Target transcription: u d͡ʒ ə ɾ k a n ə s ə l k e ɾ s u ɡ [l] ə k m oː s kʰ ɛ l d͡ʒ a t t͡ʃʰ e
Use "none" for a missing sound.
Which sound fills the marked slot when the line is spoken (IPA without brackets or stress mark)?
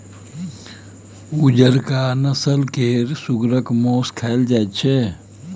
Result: ɾ